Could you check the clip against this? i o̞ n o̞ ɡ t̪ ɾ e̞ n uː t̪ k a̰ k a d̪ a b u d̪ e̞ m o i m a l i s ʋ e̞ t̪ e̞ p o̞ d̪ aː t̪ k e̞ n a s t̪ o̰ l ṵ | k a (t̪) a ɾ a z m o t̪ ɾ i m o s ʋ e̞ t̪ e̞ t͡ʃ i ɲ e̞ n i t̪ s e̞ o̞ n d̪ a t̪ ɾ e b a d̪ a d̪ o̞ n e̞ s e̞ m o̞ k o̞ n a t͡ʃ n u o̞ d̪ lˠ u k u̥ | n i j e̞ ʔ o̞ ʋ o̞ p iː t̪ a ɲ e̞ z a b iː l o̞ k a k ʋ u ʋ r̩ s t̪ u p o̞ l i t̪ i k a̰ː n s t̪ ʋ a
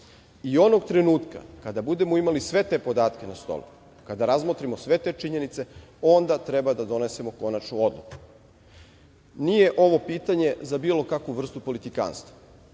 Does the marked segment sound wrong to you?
yes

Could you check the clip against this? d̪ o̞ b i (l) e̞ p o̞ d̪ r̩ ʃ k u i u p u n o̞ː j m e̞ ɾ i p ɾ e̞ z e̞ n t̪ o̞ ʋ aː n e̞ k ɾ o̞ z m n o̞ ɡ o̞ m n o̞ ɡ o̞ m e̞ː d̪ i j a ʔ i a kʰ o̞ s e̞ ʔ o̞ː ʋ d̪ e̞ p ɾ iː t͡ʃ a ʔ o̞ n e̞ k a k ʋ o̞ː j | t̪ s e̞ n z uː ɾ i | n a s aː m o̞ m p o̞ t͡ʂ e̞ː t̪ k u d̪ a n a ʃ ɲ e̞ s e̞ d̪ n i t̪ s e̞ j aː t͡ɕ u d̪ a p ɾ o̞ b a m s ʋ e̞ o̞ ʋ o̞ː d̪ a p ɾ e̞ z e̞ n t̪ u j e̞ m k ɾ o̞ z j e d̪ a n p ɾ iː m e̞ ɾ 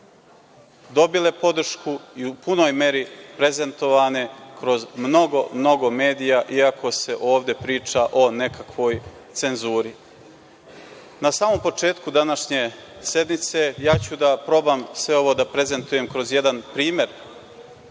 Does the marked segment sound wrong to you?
no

